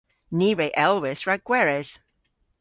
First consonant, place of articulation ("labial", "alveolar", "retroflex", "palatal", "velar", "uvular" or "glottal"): alveolar